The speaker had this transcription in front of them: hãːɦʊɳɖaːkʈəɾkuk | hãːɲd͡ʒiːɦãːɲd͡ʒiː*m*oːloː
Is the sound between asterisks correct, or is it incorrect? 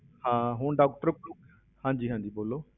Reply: incorrect